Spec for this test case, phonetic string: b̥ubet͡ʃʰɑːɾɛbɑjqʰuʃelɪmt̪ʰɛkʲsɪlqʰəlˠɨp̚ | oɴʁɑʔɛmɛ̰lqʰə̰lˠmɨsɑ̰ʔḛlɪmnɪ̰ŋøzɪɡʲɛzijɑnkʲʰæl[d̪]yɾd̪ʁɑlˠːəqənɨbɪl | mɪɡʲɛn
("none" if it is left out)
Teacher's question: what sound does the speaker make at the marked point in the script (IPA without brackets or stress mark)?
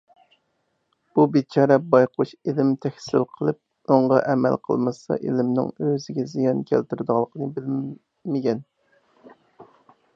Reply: t̪